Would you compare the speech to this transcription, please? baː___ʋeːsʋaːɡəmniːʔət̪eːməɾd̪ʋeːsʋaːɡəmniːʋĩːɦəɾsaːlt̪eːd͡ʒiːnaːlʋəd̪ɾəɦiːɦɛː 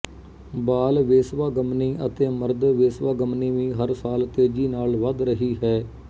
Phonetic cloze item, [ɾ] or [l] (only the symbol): l